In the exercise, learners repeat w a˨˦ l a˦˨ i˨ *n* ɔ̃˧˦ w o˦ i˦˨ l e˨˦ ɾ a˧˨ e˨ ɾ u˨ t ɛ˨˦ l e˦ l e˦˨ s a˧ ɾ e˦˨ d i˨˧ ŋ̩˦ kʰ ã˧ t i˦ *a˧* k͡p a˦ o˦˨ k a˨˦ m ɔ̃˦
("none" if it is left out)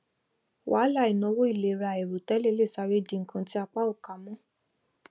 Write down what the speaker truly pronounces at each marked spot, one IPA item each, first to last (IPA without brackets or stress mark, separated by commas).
n, a˧